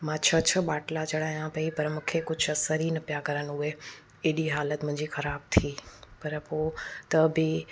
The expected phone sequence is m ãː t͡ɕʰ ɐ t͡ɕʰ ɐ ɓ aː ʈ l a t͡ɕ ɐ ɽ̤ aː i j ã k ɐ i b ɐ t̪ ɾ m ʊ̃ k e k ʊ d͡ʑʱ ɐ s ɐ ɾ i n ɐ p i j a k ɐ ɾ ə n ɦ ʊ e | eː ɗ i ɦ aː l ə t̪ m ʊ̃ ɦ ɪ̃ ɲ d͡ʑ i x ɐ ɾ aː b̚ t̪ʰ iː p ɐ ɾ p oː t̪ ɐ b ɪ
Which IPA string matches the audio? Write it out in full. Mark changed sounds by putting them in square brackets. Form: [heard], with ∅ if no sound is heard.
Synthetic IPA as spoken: m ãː t͡ɕʰ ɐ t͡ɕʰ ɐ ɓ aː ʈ l a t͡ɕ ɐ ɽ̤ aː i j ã [p] ɐ i [p] ɐ [∅] ɾ m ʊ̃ [kʰ] e k ʊ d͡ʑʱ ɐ s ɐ ɾ i n ɐ p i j a k ɐ ɾ ə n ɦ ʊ e | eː ɗ i ɦ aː l ə t̪ m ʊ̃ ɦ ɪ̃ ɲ d͡ʑ i x ɐ ɾ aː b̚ t̪ʰ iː p ɐ ɾ p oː t̪ ɐ b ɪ